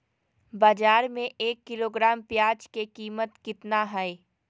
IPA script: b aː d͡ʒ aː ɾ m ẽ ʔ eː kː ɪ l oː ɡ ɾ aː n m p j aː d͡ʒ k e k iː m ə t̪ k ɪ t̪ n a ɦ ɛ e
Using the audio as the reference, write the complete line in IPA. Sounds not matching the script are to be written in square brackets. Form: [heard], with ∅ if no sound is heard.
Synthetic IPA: b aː d͡ʒ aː ɾ m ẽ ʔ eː kː ɪ l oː ɡ ɾ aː [∅] m p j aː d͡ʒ k e k iː m ə t̪ k ɪ t̪ n a ɦ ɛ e